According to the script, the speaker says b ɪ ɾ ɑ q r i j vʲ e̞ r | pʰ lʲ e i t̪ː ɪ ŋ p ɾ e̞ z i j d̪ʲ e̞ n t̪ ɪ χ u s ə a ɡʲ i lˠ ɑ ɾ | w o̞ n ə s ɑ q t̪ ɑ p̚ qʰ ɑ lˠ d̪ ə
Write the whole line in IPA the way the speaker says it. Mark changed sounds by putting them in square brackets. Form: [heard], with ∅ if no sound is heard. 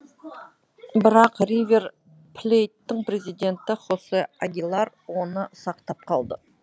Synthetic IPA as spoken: b ɪ ɾ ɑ q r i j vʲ e̞ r | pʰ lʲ e [j] t̪ː ɪ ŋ p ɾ e̞ z i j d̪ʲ e̞ n t̪ ɪ χ [o] s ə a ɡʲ i lˠ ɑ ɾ | w o̞ n ə s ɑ q t̪ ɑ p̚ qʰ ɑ lˠ d̪ ə